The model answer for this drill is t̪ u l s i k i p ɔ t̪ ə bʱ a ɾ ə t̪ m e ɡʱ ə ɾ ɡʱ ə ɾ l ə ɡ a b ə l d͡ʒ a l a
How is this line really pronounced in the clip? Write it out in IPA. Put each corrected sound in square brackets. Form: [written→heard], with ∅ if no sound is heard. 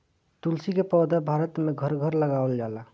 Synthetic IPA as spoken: t̪ u l s i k [i→e] p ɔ [t̪→d̪] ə bʱ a ɾ ə t̪ m e ɡʱ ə ɾ ɡʱ ə ɾ l ə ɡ a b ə l d͡ʒ a l a